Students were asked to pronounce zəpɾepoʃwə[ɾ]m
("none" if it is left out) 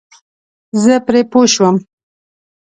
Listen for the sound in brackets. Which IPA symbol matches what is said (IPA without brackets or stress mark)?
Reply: none